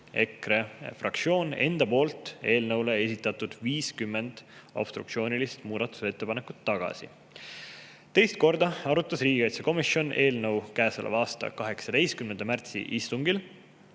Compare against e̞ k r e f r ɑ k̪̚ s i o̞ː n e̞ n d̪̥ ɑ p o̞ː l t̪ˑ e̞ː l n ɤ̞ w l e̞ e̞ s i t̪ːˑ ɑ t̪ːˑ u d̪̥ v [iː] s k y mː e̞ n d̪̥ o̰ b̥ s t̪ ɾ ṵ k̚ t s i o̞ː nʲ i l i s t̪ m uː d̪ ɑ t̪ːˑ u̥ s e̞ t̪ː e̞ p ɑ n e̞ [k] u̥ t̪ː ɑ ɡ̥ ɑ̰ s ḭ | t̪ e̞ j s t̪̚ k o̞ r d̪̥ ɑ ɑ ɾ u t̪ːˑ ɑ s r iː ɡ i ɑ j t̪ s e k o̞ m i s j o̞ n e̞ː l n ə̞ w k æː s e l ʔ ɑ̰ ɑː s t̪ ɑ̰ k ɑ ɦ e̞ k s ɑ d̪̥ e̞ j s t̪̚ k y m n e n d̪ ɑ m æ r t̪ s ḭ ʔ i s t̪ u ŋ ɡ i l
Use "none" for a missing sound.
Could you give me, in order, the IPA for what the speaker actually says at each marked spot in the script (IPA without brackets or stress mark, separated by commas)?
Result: iː, k